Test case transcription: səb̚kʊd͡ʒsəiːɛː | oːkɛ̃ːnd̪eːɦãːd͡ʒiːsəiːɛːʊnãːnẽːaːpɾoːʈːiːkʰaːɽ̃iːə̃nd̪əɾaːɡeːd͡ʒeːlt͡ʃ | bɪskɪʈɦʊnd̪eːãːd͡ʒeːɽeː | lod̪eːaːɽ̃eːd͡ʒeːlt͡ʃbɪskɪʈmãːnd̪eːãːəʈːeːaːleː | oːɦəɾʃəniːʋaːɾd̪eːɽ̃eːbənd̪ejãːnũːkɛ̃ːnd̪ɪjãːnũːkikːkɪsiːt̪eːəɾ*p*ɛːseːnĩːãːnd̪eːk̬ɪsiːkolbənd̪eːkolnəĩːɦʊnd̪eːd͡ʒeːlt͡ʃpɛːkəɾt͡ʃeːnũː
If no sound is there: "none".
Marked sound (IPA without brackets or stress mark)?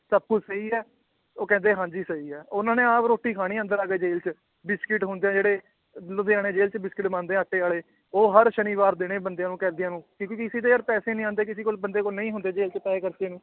p